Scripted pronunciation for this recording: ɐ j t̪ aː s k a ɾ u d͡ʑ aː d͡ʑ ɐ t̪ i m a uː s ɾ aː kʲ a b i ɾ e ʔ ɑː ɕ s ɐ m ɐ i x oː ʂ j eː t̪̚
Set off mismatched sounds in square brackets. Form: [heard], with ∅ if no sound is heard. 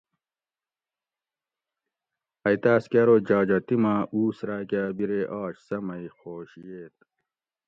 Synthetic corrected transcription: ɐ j t̪ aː s k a ɾ [o] d͡ʑ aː d͡ʑ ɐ t̪ i m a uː s ɾ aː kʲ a b i ɾ e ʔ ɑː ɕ s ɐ m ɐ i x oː [ɕ] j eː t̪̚